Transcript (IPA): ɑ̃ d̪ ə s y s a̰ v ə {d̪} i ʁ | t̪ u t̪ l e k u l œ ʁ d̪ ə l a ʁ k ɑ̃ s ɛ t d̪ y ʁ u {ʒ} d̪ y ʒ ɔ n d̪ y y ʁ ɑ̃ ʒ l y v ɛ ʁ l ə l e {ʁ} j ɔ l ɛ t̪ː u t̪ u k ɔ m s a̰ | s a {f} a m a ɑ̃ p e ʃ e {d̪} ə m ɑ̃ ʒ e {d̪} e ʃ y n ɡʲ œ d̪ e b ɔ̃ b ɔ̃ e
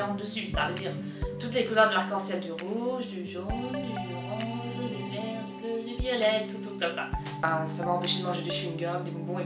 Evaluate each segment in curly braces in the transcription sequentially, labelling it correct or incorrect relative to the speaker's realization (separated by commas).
correct, correct, incorrect, incorrect, correct, correct